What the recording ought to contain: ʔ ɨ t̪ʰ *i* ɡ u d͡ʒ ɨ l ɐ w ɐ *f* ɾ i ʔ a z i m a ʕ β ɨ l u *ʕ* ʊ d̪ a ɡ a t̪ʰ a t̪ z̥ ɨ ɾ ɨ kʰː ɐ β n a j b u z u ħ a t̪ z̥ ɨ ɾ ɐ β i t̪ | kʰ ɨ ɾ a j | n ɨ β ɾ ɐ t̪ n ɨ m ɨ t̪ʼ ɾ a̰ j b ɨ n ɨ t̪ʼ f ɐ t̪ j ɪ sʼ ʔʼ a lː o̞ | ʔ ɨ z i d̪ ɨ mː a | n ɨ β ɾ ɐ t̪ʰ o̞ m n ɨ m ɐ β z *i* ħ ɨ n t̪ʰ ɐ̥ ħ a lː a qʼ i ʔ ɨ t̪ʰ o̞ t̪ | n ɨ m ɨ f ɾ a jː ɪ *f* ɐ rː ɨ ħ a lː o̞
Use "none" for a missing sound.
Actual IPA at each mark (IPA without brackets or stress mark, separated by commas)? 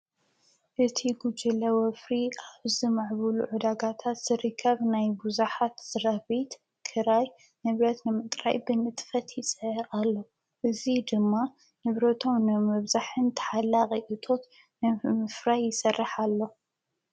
i, f, ʕ, a, s